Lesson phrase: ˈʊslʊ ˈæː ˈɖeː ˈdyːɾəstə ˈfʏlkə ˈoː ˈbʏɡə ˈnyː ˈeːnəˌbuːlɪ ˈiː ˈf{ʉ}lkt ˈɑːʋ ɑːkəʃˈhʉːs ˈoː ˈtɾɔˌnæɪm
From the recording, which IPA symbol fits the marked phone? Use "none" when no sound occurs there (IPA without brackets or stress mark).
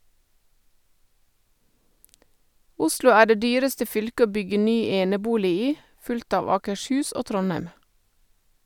ʉ